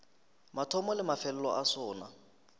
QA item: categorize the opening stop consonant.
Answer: aspirated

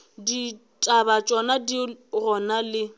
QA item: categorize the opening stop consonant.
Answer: plain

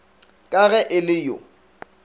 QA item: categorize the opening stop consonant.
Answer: ejective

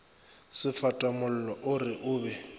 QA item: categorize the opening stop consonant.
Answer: ejective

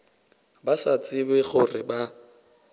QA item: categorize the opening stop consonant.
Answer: plain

